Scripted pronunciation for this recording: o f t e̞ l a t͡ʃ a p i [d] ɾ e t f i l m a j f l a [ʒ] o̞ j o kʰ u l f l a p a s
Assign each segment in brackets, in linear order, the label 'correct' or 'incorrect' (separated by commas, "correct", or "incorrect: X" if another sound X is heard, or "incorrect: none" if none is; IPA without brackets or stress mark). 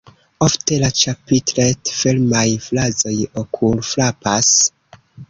incorrect: t, incorrect: z